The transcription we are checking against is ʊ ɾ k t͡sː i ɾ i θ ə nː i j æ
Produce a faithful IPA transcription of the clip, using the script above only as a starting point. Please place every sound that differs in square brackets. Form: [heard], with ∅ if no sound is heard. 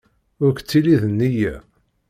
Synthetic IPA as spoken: ʊ ɾ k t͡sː i [l] i [ð] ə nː i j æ